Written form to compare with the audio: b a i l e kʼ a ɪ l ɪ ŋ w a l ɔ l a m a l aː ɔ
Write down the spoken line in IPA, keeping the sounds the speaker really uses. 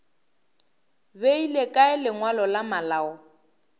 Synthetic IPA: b e i l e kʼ a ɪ l ɪ ŋ w a l ɔ l a m a l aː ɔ